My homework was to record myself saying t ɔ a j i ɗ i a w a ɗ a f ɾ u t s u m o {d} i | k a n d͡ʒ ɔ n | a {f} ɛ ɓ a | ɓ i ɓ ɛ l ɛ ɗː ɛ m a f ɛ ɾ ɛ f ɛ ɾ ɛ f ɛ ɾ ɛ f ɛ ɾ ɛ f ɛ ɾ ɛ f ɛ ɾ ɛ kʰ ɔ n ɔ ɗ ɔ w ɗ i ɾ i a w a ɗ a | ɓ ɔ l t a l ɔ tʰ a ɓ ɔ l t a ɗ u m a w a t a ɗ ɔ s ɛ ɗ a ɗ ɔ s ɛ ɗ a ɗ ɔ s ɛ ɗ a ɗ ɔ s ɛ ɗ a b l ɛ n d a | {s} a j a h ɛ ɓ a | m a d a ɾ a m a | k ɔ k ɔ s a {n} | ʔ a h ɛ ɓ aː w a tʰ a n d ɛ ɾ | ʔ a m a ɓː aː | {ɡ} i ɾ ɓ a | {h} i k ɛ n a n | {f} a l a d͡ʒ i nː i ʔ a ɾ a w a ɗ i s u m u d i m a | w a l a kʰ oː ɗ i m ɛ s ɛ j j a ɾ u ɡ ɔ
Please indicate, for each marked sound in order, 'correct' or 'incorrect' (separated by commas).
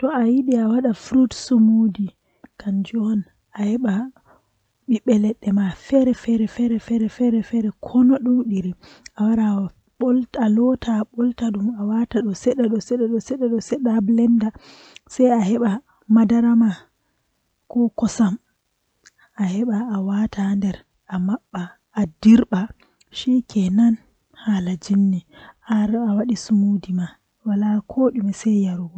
correct, incorrect, correct, incorrect, incorrect, incorrect, incorrect